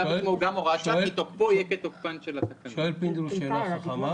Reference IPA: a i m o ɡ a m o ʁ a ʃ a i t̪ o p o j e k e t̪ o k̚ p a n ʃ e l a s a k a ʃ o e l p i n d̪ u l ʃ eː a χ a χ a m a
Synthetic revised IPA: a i m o ɡ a m o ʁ a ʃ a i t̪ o p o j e k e t̪ o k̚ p a n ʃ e l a s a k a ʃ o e l p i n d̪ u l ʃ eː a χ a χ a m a